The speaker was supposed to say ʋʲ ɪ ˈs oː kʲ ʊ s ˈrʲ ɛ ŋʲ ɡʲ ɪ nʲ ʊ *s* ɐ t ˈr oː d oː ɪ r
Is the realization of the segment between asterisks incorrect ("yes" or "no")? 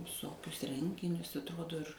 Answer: no